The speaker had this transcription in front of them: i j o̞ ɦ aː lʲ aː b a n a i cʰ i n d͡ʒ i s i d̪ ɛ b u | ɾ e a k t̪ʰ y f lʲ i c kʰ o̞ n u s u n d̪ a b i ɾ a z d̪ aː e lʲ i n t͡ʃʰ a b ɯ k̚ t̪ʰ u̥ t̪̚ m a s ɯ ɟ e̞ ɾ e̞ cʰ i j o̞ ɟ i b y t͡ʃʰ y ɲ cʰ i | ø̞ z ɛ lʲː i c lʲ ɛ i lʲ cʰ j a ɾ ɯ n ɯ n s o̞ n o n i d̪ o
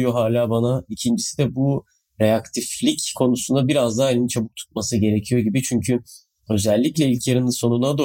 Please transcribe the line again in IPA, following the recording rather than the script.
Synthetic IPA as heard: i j o̞ ɦ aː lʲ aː b a n a i cʰ i n d͡ʒ i s i d̪ ɛ b u | ɾ e a k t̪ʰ i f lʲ i c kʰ o̞ n u s u n d̪ a b i ɾ a z d̪ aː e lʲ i n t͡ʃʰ a b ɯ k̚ t̪ʰ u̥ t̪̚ m a s ɯ ɟ e̞ ɾ e̞ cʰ i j o̞ ɟ i b i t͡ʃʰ y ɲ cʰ y | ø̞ z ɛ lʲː i c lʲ ɛ i lʲ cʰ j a ɾ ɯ n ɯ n s o̞ n u n a d̪ o